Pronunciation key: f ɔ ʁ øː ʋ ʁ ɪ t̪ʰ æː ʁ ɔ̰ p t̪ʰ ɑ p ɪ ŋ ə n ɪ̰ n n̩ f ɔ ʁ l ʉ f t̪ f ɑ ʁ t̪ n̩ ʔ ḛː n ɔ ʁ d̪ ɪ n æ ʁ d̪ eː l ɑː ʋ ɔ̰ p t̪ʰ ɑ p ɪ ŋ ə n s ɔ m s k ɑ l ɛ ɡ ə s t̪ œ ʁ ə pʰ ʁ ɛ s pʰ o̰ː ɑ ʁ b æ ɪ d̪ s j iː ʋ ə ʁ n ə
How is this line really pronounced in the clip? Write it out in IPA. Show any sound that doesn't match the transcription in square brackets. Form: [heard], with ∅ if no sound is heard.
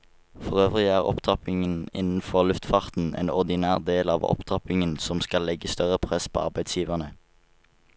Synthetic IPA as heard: f ɔ ʁ øː ʋ ʁ ɪ [∅] æː ʁ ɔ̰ p t̪ʰ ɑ p ɪ ŋ ə n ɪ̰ n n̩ f ɔ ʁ l ʉ f t̪ f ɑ ʁ t̪ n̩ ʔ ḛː n ɔ ʁ d̪ ɪ n [æː] ʁ d̪ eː l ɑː ʋ ɔ̰ p t̪ʰ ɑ p ɪ ŋ ə n s ɔ m s k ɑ l ɛ ɡ ə s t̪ œ ʁ ə pʰ ʁ ɛ s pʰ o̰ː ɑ ʁ b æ ɪ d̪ s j iː ʋ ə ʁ n ə